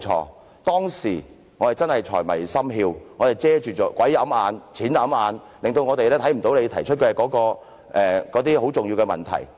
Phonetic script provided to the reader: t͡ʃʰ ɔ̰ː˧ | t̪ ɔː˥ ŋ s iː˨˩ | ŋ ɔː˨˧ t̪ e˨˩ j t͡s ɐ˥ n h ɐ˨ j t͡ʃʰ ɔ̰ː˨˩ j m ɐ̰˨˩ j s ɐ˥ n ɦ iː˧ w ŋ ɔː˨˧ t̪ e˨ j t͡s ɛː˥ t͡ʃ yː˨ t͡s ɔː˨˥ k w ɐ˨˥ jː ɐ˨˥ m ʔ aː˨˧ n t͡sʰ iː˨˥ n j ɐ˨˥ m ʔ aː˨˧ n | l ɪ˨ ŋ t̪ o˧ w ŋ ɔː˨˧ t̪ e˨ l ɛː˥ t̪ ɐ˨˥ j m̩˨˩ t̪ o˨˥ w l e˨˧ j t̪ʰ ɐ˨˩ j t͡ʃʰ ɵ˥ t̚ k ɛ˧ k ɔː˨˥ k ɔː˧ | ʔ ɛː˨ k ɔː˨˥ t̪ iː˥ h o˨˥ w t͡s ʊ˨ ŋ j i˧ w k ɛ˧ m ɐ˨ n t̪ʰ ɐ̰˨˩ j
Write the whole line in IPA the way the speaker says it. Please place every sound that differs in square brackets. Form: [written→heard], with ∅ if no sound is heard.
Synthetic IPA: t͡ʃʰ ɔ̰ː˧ | t̪ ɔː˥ ŋ s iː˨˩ | ŋ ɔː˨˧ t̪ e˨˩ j t͡s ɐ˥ n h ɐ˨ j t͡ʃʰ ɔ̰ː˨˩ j m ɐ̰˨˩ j s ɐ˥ [n→m] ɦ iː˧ w ŋ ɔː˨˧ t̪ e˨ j t͡s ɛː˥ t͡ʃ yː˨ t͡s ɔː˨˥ k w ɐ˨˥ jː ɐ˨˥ m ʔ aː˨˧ n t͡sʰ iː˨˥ n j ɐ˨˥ m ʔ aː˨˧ n | l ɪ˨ ŋ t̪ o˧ w ŋ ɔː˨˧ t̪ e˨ l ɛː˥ [t̪→t̪ʰ] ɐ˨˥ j m̩˨˩ t̪ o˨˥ w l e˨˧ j t̪ʰ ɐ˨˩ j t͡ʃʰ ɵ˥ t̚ k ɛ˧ k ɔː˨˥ k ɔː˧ | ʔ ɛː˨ k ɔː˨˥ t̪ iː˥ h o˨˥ w t͡s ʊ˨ ŋ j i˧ w k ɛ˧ m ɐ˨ n t̪ʰ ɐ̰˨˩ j

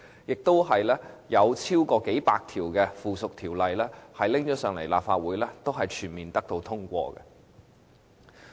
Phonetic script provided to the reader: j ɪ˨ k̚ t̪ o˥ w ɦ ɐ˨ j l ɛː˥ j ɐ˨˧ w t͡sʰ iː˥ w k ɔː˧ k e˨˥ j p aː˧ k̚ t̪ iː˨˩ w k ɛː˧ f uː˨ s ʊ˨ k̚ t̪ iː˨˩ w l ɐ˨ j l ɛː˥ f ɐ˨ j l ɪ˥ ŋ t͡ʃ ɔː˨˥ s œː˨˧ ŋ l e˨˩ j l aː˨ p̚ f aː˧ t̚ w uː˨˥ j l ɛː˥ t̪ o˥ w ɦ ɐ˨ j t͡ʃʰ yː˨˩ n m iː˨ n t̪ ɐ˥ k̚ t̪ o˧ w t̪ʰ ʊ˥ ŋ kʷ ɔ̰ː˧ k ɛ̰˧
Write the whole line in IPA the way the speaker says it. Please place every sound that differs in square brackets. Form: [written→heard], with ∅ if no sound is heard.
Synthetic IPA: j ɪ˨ k̚ t̪ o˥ w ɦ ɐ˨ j l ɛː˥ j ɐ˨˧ w t͡sʰ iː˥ w k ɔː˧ k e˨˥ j p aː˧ k̚ [t̪→t̪ʰ] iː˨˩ w k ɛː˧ f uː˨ s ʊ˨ k̚ [t̪→t̪ʰ] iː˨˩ w l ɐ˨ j l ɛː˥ [f→h] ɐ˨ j l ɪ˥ ŋ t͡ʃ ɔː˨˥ s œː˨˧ ŋ l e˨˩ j l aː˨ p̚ f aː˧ t̚ w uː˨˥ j l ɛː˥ t̪ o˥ w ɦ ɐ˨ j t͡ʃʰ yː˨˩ n m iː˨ n t̪ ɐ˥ k̚ t̪ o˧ w t̪ʰ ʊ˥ ŋ kʷ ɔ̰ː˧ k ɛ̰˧

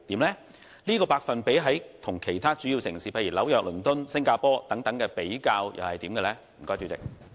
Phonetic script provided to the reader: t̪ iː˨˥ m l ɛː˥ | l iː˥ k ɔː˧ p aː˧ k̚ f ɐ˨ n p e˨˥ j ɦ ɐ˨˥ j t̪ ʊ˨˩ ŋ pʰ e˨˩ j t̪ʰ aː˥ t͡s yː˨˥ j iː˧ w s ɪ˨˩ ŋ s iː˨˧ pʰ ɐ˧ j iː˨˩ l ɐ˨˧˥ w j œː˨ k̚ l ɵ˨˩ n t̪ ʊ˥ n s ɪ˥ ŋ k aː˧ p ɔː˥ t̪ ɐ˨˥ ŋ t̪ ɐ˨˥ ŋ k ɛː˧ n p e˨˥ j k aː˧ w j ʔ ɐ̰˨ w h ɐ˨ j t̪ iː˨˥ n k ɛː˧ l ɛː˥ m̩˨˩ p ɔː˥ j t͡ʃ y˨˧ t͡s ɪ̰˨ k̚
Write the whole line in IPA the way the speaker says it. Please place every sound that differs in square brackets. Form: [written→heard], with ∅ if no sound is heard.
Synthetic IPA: t̪ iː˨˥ m l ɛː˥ | l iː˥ k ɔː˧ p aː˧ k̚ f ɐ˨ n p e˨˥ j ɦ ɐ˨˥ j [t̪→t̪ʰ] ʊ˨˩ ŋ [pʰ→kʰ] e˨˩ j t̪ʰ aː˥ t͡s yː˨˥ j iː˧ w s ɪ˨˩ ŋ s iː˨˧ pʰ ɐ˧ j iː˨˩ l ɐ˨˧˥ w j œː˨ k̚ l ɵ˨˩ n t̪ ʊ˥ n s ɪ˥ ŋ k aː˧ p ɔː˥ t̪ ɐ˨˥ ŋ t̪ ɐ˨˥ ŋ k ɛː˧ [n→∅] p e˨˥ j k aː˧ w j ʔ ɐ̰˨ w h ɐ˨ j t̪ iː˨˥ [n→m] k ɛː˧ l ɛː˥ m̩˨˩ [p→k] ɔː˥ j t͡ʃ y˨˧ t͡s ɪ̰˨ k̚

